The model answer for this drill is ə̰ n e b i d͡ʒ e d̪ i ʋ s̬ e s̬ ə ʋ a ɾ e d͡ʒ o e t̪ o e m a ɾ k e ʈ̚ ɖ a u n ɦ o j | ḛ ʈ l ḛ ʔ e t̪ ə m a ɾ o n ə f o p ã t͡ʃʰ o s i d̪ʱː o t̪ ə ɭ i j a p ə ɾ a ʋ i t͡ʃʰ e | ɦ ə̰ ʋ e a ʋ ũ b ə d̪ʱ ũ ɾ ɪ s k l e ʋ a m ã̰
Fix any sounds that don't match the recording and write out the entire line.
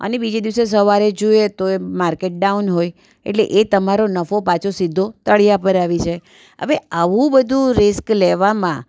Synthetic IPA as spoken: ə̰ n e b i d͡ʒ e d̪ i ʋ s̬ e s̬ ə ʋ a ɾ e d͡ʒ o e t̪ o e m a ɾ k e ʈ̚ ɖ a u n ɦ o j | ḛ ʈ l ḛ ʔ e t̪ ə m a ɾ o n ə f o p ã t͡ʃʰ o s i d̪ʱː o t̪ ə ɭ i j a p ə ɾ a ʋ i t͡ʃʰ e | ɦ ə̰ ʋ e a ʋ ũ b ə d̪ʱ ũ ɾ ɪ s k l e ʋ a m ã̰